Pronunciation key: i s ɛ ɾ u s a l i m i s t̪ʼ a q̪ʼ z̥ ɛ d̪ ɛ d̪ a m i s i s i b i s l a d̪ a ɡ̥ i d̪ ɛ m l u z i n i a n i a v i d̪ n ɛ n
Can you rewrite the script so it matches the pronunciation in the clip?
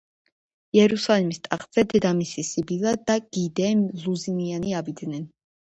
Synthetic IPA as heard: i ɛ ɾ u s a l i m i s t̪ʼ a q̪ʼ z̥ ɛ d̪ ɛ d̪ a m i s i s i b i l a d̪ a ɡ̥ i d̪ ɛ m l u z i n i a n i a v i d̪ n ɛ n